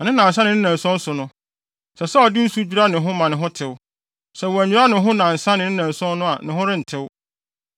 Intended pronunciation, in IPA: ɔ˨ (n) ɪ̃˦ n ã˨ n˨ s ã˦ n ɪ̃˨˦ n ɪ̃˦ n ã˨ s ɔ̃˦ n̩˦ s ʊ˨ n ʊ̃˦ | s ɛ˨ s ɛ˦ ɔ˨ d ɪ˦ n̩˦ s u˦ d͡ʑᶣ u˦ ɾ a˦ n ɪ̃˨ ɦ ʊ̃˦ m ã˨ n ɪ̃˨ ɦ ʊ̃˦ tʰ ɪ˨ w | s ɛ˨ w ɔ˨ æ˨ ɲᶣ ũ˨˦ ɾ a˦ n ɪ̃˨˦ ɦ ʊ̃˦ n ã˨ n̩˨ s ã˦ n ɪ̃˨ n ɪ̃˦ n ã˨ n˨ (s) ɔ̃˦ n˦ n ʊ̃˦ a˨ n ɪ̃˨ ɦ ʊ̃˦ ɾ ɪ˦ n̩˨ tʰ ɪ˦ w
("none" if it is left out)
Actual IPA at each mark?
n, s

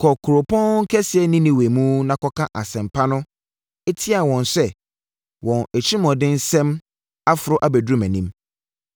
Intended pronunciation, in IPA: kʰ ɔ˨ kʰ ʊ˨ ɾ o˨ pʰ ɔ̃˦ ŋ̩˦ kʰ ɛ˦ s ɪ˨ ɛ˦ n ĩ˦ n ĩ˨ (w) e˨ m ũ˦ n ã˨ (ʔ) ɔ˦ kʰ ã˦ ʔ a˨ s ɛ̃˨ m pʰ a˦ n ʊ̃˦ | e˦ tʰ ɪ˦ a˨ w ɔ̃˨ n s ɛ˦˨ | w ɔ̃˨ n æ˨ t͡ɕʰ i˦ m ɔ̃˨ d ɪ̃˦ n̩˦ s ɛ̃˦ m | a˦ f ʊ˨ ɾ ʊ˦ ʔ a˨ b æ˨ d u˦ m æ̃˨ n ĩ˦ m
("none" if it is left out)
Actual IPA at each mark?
w, k

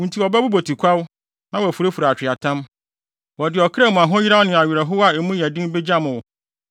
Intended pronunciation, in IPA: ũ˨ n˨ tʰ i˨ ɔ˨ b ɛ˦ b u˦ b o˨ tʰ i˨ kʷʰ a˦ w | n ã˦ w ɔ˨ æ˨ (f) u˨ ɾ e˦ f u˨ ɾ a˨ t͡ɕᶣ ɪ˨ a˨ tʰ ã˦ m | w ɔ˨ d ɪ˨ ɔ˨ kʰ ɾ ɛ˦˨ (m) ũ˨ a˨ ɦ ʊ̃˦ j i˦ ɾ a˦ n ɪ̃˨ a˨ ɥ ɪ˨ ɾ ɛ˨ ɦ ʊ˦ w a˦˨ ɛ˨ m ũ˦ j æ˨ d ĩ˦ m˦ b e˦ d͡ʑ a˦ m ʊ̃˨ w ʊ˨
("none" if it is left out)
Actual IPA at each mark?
f, m

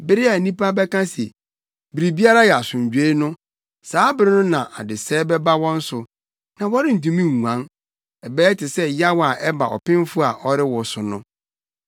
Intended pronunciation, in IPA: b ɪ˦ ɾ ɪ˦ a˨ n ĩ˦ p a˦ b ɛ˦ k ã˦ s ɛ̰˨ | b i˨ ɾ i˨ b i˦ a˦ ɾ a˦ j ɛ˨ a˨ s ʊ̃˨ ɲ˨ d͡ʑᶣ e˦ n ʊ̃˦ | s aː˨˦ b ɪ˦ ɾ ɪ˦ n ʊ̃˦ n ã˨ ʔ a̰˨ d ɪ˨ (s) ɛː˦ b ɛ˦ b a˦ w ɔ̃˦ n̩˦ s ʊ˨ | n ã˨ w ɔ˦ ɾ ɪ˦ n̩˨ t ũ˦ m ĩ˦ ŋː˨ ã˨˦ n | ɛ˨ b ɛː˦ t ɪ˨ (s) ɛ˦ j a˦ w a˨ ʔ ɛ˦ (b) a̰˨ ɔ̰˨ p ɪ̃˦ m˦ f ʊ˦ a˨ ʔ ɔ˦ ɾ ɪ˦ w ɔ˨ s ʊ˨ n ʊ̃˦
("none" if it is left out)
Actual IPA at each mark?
s, s, b

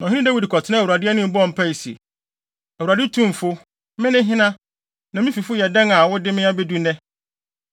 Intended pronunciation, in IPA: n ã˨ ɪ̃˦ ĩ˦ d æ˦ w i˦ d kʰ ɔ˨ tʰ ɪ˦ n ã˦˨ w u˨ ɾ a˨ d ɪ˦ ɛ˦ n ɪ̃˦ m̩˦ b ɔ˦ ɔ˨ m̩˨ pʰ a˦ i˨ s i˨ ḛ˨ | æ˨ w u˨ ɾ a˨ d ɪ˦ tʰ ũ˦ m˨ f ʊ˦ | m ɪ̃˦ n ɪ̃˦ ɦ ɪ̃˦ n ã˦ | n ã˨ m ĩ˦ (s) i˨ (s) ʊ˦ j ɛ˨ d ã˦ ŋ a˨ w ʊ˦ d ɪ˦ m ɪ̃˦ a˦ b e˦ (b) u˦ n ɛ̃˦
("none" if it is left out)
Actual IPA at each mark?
f, f, d

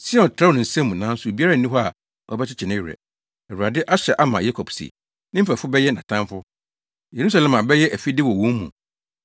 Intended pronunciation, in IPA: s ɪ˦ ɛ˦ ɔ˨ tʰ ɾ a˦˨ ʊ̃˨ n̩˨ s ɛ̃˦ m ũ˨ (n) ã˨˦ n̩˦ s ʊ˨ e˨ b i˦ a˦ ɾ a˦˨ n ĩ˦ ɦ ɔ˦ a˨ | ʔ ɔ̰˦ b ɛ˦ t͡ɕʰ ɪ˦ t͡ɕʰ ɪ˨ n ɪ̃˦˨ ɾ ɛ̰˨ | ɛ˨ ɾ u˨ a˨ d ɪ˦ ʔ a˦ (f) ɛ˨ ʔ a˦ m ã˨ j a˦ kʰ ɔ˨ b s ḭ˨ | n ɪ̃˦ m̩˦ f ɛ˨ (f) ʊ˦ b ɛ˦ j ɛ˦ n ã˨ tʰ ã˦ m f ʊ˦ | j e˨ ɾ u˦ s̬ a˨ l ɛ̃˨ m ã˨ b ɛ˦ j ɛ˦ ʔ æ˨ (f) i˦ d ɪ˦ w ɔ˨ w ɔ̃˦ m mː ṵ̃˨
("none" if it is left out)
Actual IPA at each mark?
n, ɕ, f, f

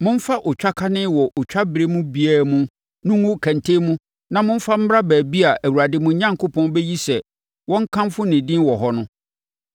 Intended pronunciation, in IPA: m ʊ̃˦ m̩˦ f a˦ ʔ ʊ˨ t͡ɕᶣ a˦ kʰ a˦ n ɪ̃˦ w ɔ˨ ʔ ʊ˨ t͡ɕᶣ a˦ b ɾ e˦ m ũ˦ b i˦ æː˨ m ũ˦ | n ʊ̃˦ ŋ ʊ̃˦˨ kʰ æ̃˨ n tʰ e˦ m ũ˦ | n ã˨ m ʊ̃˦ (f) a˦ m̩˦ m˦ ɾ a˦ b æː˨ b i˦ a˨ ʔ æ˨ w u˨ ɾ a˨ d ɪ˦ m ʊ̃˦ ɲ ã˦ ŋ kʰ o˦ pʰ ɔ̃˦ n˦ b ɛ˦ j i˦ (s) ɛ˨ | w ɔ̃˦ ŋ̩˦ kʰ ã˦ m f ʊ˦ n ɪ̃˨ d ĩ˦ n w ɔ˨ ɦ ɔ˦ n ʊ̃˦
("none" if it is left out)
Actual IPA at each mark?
f, s

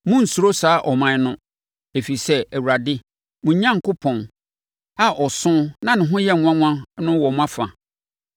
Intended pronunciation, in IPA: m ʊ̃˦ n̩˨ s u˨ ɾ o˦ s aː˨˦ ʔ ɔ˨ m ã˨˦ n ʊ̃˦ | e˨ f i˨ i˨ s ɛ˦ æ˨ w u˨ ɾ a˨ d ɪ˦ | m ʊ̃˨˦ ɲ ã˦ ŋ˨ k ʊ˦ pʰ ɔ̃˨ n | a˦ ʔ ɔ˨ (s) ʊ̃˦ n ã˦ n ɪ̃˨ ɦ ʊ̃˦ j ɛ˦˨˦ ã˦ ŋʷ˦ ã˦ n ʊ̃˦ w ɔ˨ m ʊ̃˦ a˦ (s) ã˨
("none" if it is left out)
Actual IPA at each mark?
s, f

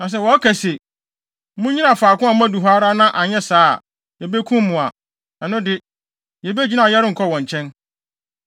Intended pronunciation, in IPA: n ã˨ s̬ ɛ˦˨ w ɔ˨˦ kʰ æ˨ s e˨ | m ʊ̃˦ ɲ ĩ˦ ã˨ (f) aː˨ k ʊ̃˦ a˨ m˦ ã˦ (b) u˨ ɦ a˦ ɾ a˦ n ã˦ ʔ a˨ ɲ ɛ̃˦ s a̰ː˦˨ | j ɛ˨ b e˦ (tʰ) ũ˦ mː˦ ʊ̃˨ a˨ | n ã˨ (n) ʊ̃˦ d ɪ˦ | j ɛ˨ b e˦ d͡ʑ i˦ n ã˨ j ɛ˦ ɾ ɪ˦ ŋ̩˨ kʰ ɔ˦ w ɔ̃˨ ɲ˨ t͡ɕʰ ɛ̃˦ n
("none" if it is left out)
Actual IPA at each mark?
f, d, kʰ, n

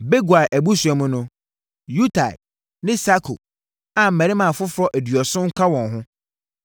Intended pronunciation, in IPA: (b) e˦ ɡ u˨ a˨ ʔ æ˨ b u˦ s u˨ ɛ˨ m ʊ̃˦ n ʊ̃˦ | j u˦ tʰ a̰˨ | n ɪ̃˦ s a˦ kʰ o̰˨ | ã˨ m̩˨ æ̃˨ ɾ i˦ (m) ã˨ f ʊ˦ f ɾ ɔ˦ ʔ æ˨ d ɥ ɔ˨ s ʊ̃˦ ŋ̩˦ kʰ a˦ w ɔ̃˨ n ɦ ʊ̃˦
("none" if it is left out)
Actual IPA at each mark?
b, m

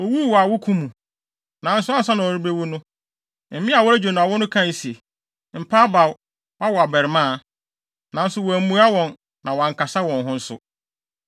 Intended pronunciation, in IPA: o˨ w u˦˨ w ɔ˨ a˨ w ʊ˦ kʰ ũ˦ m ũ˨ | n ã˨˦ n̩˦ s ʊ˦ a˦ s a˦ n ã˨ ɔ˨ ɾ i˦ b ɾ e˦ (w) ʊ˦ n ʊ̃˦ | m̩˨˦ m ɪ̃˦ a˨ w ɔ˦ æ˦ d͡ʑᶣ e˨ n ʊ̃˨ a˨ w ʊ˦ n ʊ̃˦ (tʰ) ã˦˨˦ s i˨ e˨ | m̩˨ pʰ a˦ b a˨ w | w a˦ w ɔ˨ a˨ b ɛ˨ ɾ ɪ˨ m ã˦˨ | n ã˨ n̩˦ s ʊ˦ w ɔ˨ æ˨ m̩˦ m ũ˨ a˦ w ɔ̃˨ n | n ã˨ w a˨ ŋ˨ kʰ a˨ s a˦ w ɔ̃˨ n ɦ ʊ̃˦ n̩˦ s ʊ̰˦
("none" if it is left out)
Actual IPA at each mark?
w, kʰ

